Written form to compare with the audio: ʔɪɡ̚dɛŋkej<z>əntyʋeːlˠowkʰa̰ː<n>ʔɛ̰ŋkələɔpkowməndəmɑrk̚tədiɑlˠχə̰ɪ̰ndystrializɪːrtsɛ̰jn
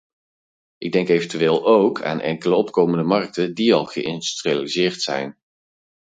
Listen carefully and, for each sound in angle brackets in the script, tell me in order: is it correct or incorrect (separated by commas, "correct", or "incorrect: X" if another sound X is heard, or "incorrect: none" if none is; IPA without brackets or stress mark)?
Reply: incorrect: v, correct